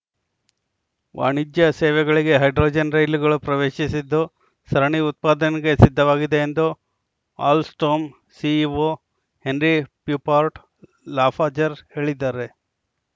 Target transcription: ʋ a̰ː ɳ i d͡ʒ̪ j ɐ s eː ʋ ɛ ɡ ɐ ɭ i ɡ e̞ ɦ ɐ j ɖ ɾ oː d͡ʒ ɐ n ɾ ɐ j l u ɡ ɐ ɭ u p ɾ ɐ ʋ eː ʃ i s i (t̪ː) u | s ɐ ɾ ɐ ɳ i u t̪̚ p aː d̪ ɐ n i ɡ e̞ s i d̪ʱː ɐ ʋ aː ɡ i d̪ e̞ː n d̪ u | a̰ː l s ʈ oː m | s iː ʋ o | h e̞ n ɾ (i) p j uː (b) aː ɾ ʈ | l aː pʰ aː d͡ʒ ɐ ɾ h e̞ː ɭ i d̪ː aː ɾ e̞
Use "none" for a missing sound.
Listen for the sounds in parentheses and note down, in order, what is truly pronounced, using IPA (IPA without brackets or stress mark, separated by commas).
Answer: d̪ː, i, p